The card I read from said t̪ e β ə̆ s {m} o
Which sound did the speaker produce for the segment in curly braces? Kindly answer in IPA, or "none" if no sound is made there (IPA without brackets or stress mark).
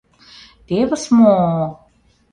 m